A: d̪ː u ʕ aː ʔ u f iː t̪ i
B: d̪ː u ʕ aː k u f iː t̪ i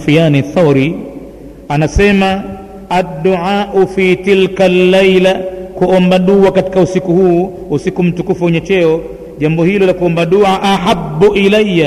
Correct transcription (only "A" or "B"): A